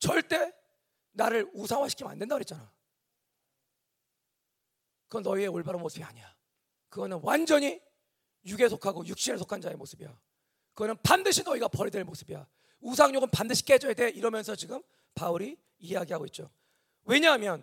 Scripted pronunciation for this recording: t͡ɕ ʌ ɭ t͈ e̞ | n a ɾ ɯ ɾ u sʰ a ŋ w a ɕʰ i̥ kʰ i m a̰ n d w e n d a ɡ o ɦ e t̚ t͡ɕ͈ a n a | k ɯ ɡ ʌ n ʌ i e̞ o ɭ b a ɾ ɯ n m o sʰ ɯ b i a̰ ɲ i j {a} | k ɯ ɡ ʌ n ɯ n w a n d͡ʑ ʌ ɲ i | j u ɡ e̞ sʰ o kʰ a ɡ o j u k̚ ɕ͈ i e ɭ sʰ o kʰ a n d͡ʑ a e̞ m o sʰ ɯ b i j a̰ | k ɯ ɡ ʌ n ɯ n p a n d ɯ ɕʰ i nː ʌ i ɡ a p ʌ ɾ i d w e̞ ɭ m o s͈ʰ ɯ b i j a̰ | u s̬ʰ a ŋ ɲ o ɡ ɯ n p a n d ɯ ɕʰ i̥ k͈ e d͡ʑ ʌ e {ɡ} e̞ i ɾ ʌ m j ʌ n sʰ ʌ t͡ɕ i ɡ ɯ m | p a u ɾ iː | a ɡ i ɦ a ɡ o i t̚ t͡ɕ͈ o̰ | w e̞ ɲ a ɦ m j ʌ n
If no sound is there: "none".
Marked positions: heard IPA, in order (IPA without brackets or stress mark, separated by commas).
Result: a, d